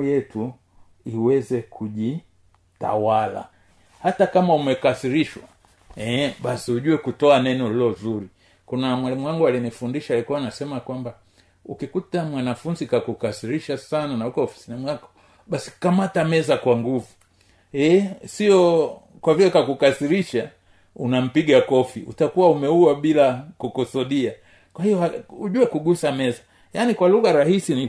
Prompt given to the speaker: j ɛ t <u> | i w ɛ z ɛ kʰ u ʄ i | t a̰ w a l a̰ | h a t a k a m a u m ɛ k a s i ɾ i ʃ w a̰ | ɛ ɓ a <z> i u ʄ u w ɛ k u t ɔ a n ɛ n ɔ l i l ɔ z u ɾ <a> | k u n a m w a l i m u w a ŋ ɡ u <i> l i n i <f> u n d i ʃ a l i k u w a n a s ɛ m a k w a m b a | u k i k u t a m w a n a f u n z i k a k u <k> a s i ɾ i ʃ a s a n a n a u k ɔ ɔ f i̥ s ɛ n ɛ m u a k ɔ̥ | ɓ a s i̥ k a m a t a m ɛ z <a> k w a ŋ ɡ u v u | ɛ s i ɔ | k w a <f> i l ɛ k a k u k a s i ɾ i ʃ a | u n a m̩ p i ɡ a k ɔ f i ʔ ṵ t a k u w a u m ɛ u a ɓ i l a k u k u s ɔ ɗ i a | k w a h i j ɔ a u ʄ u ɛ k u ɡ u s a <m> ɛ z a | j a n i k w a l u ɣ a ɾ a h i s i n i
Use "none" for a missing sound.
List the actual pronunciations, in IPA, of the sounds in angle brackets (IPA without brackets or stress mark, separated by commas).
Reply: u, s, i, a, f, k, a, v, m